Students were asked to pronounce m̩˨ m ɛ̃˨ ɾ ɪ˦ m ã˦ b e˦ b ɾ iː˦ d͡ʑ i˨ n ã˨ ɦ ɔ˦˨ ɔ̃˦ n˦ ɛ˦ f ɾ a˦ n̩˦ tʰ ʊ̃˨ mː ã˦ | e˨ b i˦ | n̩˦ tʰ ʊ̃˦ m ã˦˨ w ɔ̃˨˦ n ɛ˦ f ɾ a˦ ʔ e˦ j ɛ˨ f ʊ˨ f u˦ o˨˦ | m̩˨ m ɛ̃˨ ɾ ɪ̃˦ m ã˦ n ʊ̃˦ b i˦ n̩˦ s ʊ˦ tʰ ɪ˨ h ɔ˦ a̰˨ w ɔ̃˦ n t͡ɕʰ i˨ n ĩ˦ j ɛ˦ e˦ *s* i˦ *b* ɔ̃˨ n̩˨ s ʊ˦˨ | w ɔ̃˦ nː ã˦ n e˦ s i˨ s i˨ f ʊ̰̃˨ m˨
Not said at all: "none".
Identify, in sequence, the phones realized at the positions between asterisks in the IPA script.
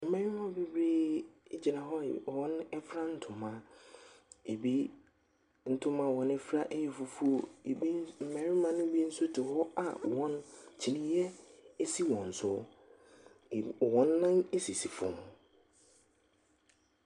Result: s, w

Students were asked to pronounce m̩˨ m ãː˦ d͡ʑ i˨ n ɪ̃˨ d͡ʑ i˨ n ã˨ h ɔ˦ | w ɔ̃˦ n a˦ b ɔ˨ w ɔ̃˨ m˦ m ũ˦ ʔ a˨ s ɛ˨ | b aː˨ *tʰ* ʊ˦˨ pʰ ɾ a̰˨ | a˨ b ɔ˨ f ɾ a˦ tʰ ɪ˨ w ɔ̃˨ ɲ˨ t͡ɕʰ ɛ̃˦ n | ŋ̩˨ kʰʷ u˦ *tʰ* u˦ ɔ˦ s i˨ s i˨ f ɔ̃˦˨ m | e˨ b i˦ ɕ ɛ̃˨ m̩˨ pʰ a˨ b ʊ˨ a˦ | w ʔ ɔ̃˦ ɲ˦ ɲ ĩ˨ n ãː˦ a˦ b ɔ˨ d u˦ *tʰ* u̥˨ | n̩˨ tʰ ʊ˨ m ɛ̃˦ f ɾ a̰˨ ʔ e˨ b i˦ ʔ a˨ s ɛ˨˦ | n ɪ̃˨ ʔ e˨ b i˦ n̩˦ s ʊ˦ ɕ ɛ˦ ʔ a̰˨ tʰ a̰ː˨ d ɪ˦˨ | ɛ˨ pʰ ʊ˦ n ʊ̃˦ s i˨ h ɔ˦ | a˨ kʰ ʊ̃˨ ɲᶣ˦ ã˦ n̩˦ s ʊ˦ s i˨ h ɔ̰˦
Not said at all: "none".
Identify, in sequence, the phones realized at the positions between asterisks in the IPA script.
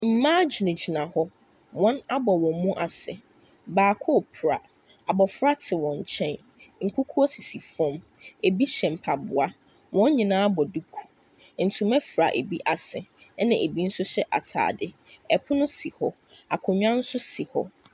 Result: kʰ, kʰ, kʰ

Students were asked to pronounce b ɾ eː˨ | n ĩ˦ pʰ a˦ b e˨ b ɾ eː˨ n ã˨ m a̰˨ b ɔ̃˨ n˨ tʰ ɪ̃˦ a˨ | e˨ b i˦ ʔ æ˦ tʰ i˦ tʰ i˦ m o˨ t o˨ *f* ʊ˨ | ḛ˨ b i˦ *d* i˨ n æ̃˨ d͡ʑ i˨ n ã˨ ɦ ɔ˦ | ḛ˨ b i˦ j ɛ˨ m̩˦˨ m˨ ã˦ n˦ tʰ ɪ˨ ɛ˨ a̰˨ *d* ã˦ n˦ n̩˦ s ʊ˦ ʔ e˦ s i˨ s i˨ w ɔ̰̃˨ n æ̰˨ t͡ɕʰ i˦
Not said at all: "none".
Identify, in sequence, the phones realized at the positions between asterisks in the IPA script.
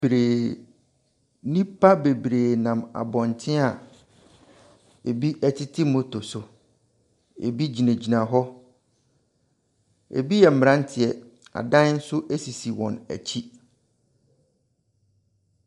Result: s, d͡ʑ, d

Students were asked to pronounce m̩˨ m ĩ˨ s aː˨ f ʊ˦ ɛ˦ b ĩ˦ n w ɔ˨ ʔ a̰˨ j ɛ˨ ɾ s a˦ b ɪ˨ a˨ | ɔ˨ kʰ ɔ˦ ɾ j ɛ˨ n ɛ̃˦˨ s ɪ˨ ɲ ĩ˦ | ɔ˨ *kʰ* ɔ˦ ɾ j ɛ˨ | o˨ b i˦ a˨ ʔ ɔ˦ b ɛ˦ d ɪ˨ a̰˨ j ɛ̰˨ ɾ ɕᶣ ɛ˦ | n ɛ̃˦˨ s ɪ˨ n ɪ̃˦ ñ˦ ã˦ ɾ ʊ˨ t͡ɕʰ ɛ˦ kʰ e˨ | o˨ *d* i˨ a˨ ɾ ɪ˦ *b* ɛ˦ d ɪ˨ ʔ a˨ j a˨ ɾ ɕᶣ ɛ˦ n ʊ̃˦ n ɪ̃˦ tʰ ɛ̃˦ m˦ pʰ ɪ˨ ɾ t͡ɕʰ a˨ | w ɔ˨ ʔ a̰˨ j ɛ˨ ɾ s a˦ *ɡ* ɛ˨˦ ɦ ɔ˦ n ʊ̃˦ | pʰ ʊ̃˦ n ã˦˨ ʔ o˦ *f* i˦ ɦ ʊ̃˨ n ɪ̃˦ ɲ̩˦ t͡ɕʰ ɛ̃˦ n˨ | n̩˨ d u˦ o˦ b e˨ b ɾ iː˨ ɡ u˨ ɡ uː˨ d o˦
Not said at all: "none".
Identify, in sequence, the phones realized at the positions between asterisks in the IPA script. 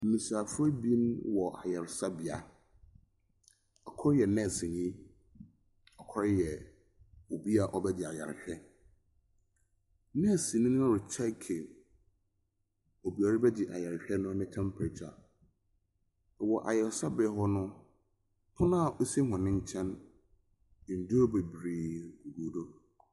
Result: kʰ, b, b, b, s

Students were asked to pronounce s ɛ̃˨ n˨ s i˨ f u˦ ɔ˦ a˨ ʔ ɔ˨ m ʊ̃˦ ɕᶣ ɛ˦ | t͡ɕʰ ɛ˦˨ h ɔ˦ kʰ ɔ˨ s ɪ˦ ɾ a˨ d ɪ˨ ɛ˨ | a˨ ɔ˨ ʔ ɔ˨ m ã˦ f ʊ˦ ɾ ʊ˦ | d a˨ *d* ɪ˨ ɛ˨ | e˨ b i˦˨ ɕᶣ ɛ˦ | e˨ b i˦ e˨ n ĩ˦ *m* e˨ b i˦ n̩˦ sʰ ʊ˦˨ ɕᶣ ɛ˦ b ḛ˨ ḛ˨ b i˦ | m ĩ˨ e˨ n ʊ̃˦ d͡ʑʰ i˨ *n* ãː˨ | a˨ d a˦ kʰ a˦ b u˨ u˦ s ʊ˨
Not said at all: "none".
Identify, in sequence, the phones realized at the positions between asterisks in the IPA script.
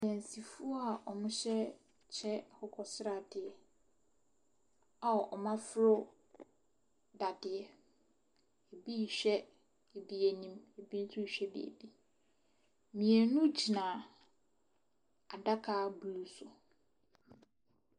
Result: d, m, n

